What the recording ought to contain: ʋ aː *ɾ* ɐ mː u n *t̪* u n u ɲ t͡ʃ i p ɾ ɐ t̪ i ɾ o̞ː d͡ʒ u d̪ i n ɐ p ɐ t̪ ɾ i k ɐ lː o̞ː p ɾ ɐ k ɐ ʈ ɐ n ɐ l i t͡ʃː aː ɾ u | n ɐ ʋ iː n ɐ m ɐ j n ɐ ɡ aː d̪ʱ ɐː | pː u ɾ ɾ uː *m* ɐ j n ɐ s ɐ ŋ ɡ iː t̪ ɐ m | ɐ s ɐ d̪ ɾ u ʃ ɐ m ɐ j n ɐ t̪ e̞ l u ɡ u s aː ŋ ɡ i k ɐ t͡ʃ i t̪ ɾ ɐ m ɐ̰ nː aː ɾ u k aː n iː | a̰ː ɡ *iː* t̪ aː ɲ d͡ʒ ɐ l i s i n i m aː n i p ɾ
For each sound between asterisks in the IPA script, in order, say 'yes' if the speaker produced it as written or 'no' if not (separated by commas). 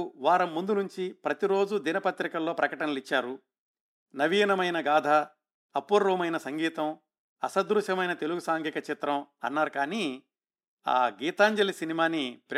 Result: yes, no, yes, yes